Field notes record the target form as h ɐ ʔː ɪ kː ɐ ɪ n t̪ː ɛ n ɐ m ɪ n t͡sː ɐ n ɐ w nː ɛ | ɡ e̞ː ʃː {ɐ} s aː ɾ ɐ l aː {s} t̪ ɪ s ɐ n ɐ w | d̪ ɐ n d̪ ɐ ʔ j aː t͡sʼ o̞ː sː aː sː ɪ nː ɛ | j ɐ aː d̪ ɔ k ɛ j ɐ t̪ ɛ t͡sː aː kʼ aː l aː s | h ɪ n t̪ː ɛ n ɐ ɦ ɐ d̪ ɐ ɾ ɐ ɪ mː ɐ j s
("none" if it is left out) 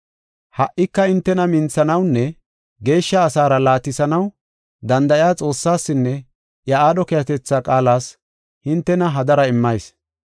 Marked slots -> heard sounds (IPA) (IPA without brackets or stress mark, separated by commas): ɐː, none